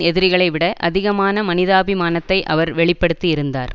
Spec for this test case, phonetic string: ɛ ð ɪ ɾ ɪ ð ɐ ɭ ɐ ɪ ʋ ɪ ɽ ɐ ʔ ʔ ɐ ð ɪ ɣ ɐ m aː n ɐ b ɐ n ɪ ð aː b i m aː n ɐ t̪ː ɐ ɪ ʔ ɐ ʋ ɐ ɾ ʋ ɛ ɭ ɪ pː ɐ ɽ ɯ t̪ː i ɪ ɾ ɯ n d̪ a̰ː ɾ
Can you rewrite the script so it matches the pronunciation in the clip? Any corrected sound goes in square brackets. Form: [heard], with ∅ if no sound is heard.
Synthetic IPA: ɛ ð ɪ ɾ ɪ [ɣ] ɐ ɭ ɐ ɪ ʋ ɪ ɽ ɐ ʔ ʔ ɐ ð ɪ ɣ ɐ m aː n ɐ [m] ɐ n ɪ ð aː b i m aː n ɐ t̪ː ɐ ɪ ʔ ɐ ʋ ɐ ɾ ʋ ɛ ɭ ɪ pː ɐ ɽ ɯ t̪ː i ɪ ɾ ɯ n d̪ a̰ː ɾ